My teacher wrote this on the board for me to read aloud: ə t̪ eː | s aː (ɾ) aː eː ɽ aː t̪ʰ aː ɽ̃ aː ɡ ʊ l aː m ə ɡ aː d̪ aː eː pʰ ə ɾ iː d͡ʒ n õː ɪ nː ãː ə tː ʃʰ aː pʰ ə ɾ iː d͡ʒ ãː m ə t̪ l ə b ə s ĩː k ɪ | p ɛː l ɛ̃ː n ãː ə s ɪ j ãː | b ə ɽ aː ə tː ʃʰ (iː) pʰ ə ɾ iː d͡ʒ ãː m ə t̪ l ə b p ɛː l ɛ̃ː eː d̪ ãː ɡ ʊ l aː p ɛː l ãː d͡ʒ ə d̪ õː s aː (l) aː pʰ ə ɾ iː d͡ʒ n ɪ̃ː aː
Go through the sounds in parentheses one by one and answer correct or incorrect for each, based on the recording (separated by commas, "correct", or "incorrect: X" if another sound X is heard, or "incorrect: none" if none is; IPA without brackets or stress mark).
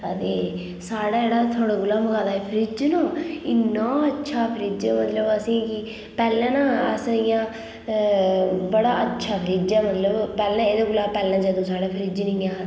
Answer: incorrect: ɽ, incorrect: aː, incorrect: ɽ